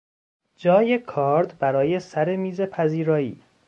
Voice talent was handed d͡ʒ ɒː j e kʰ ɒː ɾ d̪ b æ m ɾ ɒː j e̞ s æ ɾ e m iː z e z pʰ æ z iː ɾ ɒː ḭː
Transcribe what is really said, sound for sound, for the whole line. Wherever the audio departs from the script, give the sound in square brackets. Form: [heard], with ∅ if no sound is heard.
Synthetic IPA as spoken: d͡ʒ ɒː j e kʰ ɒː ɾ d̪ b æ [∅] ɾ ɒː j e̞ s æ ɾ e m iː z e [∅] pʰ æ z iː ɾ ɒː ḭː